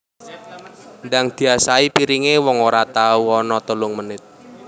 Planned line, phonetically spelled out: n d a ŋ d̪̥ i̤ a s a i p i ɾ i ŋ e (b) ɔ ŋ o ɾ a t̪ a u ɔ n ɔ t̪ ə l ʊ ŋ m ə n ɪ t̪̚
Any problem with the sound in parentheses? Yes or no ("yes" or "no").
yes